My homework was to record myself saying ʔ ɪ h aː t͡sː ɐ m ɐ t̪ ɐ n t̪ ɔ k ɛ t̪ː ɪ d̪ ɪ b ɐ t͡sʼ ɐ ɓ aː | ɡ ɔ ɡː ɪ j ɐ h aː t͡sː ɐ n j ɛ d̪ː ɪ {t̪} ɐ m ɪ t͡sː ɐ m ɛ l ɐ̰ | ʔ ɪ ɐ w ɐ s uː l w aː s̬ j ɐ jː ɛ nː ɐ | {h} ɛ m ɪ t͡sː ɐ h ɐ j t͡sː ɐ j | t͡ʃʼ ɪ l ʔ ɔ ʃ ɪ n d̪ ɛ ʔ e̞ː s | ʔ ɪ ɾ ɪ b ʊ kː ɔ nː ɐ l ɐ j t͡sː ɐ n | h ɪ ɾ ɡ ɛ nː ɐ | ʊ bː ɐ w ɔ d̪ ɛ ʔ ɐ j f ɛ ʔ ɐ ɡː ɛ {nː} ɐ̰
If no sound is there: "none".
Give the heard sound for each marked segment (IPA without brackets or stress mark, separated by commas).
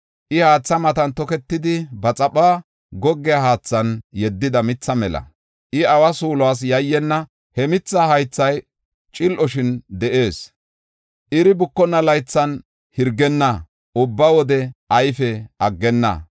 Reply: d̪, h, nː